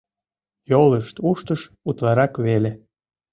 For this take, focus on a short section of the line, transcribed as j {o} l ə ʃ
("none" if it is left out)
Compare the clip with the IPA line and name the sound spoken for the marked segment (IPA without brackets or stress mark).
o